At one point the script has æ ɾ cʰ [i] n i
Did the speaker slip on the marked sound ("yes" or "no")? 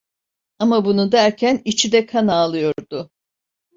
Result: yes